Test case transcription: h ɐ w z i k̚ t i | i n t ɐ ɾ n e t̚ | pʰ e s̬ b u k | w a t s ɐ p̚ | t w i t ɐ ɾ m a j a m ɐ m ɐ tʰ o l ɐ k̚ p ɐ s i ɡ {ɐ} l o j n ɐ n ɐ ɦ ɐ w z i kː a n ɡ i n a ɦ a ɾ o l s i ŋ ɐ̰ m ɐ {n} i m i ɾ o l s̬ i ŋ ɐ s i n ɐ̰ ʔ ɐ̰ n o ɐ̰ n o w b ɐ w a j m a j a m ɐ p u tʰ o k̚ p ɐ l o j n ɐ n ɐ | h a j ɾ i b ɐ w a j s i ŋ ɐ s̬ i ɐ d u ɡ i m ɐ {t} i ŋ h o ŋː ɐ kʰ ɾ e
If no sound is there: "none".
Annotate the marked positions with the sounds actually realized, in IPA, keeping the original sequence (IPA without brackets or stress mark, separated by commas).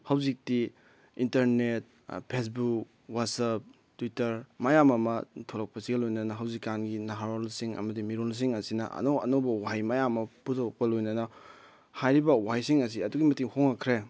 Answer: ɐ, d, t